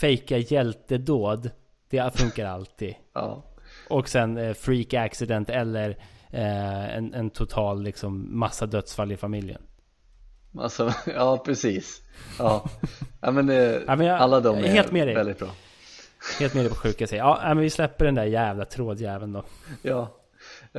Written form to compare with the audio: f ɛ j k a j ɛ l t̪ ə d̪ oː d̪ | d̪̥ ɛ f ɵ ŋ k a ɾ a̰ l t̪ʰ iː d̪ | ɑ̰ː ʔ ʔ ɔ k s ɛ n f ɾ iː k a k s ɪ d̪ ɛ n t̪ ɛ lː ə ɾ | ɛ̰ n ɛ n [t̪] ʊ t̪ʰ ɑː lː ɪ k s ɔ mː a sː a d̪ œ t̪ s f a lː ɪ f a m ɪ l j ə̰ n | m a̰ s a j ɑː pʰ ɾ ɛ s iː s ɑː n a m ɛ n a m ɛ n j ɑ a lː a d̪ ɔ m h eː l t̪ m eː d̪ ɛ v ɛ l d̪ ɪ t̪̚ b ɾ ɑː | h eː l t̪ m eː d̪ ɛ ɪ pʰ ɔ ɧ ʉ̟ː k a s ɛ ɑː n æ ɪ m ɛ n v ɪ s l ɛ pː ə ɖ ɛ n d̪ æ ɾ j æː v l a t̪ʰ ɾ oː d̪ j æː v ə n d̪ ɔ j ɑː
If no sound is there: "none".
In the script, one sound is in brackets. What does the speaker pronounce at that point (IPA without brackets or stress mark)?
t̪ʰ